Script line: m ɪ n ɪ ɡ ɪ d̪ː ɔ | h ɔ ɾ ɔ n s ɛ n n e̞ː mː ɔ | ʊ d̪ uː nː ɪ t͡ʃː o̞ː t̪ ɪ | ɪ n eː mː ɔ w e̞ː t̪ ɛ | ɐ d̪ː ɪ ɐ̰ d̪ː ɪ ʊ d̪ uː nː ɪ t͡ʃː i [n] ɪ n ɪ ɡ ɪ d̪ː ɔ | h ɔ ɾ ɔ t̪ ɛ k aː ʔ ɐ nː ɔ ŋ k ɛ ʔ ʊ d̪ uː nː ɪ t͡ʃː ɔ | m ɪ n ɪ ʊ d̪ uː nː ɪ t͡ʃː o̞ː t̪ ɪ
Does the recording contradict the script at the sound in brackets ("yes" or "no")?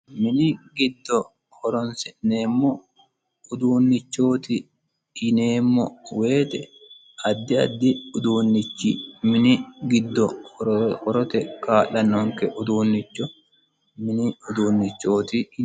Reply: yes